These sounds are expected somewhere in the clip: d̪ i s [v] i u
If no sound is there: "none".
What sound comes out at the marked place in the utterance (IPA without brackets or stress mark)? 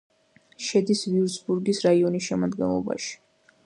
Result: v